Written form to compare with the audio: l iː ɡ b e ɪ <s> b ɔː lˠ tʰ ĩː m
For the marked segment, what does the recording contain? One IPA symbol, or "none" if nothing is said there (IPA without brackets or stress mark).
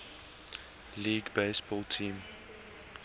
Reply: s